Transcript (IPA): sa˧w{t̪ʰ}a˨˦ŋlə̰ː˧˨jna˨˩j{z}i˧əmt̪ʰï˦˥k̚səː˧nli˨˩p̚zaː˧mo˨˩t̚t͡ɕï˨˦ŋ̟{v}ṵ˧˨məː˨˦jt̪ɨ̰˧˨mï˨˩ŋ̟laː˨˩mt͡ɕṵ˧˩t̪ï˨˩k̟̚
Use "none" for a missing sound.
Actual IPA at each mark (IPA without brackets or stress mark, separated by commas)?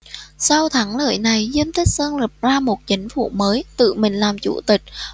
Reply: t̪ʰ, z, f